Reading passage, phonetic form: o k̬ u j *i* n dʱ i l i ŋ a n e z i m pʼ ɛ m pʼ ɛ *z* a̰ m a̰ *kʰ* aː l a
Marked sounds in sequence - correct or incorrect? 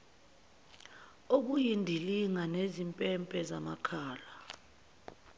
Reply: correct, correct, correct

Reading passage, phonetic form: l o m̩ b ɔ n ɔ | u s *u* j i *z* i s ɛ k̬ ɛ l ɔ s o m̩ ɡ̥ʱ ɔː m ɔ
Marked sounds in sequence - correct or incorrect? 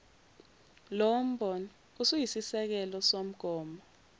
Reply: correct, incorrect

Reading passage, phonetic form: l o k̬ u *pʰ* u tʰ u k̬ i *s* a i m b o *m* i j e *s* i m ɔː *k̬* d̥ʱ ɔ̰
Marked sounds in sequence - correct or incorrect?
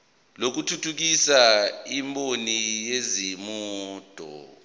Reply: incorrect, correct, incorrect, incorrect, incorrect

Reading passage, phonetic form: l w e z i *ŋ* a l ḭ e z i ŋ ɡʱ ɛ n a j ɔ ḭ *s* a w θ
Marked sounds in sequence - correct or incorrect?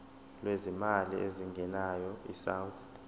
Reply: incorrect, correct

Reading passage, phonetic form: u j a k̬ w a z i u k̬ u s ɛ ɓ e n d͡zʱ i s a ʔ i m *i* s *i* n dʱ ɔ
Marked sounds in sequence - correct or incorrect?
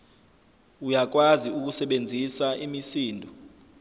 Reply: correct, incorrect

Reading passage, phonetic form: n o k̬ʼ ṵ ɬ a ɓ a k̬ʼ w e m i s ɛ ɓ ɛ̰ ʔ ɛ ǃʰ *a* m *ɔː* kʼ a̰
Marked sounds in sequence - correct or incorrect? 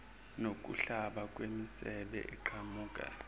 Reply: correct, incorrect

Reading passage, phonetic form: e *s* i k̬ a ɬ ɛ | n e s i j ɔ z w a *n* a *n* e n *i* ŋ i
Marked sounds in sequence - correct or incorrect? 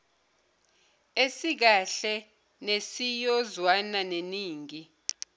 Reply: correct, correct, correct, incorrect

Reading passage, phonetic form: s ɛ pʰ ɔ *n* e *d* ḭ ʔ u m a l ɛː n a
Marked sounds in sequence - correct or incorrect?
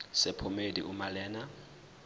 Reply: incorrect, correct

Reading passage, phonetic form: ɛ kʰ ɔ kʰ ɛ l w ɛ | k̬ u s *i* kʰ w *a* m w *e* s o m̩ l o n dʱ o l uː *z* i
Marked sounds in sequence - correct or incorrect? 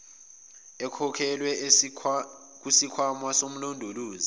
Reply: correct, correct, incorrect, correct

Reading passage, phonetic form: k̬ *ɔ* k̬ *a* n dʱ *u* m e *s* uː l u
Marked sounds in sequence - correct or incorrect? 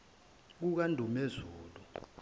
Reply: incorrect, correct, correct, incorrect

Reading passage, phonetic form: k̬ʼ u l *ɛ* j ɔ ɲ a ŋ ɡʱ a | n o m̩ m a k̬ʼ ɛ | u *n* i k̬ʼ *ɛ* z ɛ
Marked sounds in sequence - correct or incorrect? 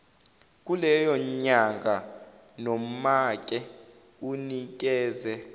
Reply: correct, correct, incorrect

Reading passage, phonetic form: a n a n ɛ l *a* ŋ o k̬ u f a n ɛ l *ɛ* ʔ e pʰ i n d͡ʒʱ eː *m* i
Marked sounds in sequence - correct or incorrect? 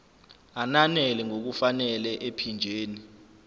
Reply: incorrect, correct, incorrect

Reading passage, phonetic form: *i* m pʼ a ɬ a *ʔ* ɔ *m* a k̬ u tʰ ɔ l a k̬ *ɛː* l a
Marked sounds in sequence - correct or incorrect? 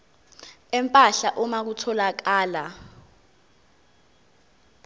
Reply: incorrect, correct, correct, incorrect

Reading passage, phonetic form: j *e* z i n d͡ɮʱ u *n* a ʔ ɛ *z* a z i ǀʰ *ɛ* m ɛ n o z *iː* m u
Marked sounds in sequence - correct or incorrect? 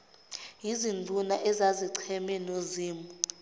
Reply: incorrect, correct, correct, correct, correct

